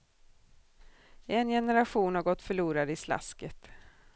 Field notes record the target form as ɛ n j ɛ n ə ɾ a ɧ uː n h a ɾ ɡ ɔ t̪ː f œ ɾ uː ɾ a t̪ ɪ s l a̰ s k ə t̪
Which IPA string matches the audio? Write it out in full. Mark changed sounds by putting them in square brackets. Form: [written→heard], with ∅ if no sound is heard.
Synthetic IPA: ɛ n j ɛ n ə ɾ a ɧ uː n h a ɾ ɡ ɔ t̪ː f œ [ɾ→ɭ] uː ɾ a [t̪→d̪] ɪ s l a̰ s k ə t̪